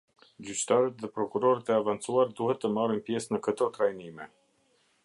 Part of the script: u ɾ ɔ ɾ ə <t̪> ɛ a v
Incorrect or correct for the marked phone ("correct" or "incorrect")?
correct